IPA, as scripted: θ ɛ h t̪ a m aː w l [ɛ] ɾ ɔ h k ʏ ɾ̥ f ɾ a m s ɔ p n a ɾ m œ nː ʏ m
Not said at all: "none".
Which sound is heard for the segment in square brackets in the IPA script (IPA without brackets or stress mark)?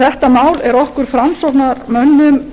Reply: ɛ